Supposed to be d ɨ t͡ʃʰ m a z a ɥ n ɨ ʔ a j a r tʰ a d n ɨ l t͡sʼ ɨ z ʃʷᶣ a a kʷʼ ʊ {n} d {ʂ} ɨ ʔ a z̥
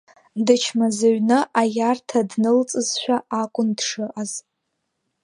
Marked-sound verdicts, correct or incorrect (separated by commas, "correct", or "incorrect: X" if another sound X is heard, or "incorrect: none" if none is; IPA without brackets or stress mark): correct, correct